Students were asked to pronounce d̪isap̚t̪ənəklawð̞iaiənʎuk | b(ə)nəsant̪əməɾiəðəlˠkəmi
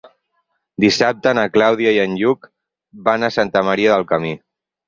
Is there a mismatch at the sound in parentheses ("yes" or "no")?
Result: yes